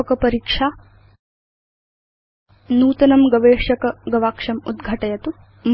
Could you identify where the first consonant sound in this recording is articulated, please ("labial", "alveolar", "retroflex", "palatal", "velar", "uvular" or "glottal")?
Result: velar